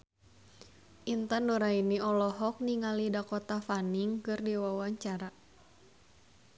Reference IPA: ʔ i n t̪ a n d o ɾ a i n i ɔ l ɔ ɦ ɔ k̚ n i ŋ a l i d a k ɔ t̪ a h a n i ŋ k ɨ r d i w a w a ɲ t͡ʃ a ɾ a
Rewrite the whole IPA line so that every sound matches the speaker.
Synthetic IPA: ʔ i n t̪ a n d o ɾ a i n i ɔ l ɔ ɦ ɔ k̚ n i ŋ a l i d a k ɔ t̪ a f a n i ŋ k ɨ r d i w a w a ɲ t͡ʃ a ɾ a